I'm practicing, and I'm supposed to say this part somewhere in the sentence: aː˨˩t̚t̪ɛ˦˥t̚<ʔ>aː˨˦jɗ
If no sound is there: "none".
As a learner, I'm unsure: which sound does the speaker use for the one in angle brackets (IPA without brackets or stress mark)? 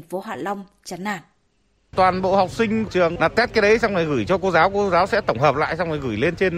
k